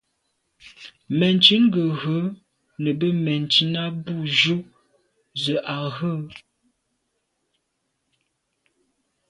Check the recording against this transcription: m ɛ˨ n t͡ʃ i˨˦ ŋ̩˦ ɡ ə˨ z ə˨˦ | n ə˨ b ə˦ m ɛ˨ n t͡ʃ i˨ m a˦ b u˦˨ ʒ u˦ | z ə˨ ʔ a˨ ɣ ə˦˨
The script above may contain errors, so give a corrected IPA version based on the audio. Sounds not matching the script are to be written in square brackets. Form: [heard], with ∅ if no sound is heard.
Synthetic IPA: m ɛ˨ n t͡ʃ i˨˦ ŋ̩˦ ɡ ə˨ [ɣ] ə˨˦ | n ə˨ b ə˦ m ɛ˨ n t͡ʃ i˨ [n] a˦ b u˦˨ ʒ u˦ | z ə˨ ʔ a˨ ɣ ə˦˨